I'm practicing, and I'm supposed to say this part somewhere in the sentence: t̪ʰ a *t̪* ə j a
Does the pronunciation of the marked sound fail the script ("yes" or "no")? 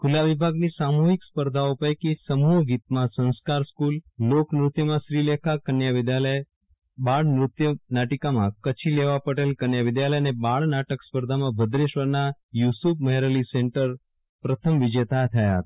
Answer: yes